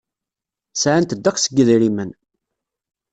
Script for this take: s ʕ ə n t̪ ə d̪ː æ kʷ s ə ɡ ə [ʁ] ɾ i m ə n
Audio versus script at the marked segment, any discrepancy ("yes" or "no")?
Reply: yes